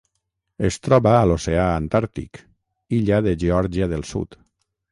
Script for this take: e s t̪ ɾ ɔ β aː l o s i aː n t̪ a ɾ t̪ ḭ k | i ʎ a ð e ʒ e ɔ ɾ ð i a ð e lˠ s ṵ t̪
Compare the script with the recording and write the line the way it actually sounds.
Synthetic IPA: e s t̪ ɾ ɔ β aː l o s e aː n t̪ a ɾ t̪ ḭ k | i ʎ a ð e ʒ e ɔ ɾ ʒ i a ð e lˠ s ṵ t̪